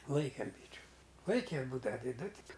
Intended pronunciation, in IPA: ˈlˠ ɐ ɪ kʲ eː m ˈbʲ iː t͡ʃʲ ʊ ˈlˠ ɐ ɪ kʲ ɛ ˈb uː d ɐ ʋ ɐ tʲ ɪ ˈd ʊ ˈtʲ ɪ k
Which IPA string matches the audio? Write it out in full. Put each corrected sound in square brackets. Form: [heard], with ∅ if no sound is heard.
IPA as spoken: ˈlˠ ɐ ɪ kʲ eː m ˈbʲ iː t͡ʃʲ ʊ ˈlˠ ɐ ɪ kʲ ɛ ˈb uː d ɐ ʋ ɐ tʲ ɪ ˈd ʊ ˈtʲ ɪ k